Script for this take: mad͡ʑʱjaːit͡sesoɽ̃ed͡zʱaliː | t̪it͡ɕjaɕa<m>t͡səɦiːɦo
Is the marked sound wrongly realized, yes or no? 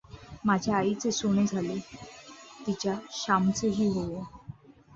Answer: no